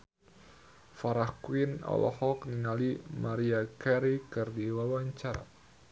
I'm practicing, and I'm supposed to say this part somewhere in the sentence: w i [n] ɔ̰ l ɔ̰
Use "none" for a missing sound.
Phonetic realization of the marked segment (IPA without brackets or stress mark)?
n